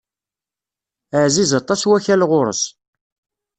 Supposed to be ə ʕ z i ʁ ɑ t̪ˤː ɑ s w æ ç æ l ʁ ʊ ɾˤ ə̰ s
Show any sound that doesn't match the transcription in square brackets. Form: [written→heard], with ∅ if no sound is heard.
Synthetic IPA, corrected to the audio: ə ʕ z i [ʁ→z] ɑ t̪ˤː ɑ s w æ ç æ l ʁ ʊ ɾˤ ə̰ s